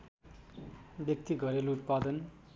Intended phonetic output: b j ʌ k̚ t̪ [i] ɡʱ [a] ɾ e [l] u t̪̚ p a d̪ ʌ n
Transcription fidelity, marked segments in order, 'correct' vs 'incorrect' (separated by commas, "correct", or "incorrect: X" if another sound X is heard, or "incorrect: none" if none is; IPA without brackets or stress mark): correct, incorrect: ʌ, correct